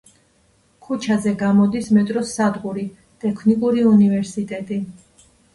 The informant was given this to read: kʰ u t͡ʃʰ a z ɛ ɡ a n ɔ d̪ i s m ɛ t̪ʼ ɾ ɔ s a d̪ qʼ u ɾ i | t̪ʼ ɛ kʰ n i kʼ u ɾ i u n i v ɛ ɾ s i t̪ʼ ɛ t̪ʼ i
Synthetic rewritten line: kʰ u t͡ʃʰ a z ɛ ɡ a m ɔ d̪ i s m ɛ t̪ʼ ɾ ɔ s a d̪ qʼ u ɾ i | t̪ʼ ɛ kʰ n i kʼ u ɾ i u n i v ɛ ɾ s i t̪ʼ ɛ t̪ʼ i

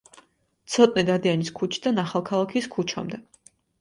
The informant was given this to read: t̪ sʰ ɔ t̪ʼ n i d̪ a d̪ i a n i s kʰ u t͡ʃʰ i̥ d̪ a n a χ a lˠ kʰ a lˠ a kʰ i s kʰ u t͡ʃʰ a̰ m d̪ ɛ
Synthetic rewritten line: t̪ sʰ ɔ t̪ʼ n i d̪ a d̪ i a n i s kʰ u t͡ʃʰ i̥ d̪ a n a χ a lˠ kʰ a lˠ a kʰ i s kʰ u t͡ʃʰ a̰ m d̪ ɛ

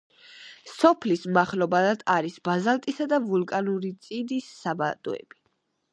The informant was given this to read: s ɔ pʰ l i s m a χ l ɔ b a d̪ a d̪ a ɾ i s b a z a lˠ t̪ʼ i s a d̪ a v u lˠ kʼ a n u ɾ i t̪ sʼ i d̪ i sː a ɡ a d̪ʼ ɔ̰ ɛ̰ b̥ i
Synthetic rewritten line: s ɔ pʰ l i s m a χ l ɔ b a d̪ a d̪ a ɾ i s b a z a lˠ t̪ʼ i s a d̪ a v u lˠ kʼ a n u ɾ i t̪ sʼ i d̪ i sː a b a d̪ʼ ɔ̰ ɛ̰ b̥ i

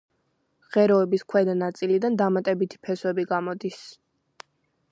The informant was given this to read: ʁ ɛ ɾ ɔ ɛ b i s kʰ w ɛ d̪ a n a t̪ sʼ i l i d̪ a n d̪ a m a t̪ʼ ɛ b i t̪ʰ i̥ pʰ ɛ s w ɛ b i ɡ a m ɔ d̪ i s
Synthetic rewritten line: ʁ ɛ ɾ ɔ ɛ b i s kʰ w ɛ d̪ a n a t̪ sʼ i l i d̪ a n d̪ a m a t̪ʼ ɛ b i t̪ʰ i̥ pʰ ɛ s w ɛ b i ɡ a m ɔ d̪ i s

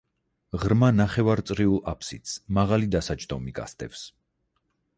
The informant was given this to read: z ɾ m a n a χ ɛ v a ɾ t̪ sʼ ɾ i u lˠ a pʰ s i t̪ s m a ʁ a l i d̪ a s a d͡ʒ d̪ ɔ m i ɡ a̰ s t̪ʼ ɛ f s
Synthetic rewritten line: ʁ ɾ m a n a χ ɛ v a ɾ t̪ sʼ ɾ i u lˠ a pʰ s i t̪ s m a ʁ a l i d̪ a s a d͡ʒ d̪ ɔ m i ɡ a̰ s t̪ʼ ɛ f s

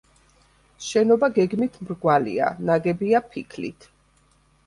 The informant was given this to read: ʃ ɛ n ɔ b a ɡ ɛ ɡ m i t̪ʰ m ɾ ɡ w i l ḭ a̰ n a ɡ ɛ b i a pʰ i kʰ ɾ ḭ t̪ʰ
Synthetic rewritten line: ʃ ɛ n ɔ b a ɡ ɛ ɡ m i t̪ʰ m ɾ ɡ w a l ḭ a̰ n a ɡ ɛ b i a pʰ i kʰ l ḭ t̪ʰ

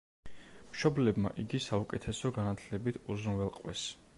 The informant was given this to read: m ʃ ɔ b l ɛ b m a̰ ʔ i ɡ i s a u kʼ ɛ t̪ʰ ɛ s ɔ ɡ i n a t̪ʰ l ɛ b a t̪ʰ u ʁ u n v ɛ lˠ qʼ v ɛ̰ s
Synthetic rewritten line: m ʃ ɔ b l ɛ b m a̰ ʔ i ɡ i s a u kʼ ɛ t̪ʰ ɛ s ɔ ɡ a n a t̪ʰ l ɛ b i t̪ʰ u z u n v ɛ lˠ qʼ w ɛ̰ s

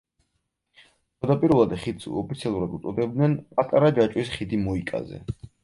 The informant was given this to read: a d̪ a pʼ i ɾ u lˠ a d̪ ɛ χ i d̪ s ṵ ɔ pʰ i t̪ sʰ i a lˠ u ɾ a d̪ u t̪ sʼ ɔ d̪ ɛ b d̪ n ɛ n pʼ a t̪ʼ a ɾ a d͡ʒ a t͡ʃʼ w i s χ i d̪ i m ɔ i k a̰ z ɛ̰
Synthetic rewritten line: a d̪ a pʼ i ɾ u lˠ a d̪ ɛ χ i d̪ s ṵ ɔ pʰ i t̪ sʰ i a lˠ u ɾ a d̪ u t̪ sʼ ɔ d̪ ɛ b d̪ n ɛ n pʼ a t̪ʼ a ɾ a d͡ʒ a t͡ʃʼ w i s χ i d̪ i m ɔ i kʼ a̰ z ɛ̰

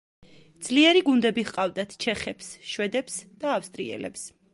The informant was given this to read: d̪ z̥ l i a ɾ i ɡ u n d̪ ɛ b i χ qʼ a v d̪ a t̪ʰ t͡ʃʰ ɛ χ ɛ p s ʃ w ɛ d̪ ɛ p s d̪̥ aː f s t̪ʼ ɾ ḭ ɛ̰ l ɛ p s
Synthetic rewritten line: d̪ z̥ l i ɛ ɾ i ɡ u n d̪ ɛ b i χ qʼ a v d̪ a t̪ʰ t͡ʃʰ ɛ χ ɛ p s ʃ w ɛ d̪ ɛ p s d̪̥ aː f s t̪ʼ ɾ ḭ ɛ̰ l ɛ p s

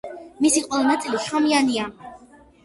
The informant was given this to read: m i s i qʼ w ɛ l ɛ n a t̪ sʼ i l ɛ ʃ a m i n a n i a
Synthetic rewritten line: m i s i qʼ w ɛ l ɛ n a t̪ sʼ i l i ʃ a m i a n i a

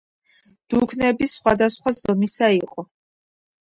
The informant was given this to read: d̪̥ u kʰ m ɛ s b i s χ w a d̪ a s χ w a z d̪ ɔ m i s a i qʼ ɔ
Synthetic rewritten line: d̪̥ u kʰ n ɛ b i s χ w a d̪ a s χ w a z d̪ ɔ m i s a i qʼ ɔ

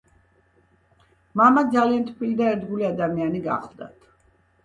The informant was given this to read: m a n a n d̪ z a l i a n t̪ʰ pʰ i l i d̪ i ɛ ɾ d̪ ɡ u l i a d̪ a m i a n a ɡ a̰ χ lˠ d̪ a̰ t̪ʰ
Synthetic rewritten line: m a m a d̪ z a l i a n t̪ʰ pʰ i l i d̪ a ɛ ɾ d̪ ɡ u l i a d̪ a m i a n i ɡ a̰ χ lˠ d̪ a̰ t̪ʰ

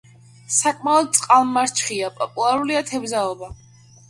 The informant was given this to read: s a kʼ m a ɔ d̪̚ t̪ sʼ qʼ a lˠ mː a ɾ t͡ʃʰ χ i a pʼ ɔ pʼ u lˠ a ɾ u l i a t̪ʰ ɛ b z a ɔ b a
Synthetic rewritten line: s a kʼ m a ɔ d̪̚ t̪ sʼ qʼ a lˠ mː a ɾ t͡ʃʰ χ i a pʼ ɔ pʼ u lˠ a ɾ u l i a t̪ʰ ɛ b z a ɔ b a

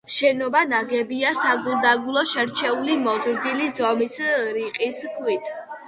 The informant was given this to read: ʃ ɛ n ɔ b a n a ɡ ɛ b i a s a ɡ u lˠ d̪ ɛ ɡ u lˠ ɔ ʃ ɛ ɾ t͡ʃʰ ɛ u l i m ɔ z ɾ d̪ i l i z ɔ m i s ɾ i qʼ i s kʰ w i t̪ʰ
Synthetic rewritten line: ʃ ɛ n ɔ b a n a ɡ ɛ b i a s a ɡ u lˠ d̪ a ɡ u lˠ ɔ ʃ ɛ ɾ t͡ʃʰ ɛ u l i m ɔ z ɾ d̪ i l i z ɔ m i s ɾ i qʼ i s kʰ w i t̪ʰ

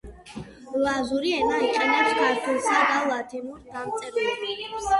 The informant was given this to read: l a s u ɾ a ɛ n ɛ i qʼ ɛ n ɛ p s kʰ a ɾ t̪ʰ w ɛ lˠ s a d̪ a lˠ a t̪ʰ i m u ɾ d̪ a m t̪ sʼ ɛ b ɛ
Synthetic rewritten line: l a z u ɾ i ɛ n a i qʼ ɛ n ɛ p s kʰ a ɾ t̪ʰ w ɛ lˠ s a d̪ a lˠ a t̪ʰ i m u ɾ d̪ a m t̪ sʼ ɛ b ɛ

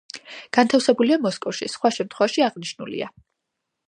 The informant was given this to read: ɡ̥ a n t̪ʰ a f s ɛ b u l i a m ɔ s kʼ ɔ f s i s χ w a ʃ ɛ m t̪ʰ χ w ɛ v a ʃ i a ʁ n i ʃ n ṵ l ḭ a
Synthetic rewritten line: ɡ̥ a n t̪ʰ a f s ɛ b u l i a m ɔ s kʼ ɔ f ʃ i s χ w a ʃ ɛ m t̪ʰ χ w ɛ v a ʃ i a ʁ n i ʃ n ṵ l ḭ a

